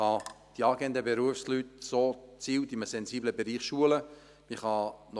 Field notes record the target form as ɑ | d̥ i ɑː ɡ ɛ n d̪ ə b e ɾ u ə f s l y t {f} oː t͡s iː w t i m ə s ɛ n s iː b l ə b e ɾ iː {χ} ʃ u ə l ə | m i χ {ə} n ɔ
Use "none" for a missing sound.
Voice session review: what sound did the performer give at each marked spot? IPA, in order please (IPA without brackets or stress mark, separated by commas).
s, χ, ɑ